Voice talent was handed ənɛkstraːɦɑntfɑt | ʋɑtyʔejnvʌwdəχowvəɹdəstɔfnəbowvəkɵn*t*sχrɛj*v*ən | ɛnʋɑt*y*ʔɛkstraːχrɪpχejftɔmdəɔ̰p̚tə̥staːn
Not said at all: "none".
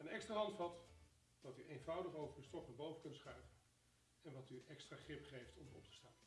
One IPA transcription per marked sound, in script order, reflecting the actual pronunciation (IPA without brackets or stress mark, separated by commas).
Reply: t, v, y